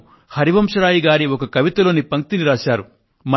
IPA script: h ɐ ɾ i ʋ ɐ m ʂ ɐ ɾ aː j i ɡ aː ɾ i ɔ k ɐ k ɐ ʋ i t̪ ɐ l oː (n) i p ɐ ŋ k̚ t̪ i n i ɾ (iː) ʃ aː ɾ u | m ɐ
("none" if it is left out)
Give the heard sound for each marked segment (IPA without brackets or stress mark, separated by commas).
n, aː